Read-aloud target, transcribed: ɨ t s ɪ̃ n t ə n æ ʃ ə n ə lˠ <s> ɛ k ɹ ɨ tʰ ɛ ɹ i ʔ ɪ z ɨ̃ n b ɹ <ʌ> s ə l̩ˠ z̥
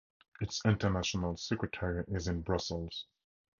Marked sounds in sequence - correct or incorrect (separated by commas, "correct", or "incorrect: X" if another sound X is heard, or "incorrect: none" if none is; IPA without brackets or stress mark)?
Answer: correct, correct